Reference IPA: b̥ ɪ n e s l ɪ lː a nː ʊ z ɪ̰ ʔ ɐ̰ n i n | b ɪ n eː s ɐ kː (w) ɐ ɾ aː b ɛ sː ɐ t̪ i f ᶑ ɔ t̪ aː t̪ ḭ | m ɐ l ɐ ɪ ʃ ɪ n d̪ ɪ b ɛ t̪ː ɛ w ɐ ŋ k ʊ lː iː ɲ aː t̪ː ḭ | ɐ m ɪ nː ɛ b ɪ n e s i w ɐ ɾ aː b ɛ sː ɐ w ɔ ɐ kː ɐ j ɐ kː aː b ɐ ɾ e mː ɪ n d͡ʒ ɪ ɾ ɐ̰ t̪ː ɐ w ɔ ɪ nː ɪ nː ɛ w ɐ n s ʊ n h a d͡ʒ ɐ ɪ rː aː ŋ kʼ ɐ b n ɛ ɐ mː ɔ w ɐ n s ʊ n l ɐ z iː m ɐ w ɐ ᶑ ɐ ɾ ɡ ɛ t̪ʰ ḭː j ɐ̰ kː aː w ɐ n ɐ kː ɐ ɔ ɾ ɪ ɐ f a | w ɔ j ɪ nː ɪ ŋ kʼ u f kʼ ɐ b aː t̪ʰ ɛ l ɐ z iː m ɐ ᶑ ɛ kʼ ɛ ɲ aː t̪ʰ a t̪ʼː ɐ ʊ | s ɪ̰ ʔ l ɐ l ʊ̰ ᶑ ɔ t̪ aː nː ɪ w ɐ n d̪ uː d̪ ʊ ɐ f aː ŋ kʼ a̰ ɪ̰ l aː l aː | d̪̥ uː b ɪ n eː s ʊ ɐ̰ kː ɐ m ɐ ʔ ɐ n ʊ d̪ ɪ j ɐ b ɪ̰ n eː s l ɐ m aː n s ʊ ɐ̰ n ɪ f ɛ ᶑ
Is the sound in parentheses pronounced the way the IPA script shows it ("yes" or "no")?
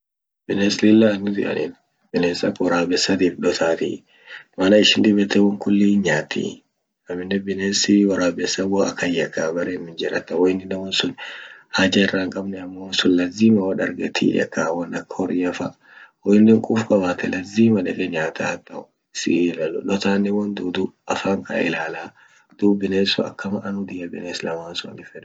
yes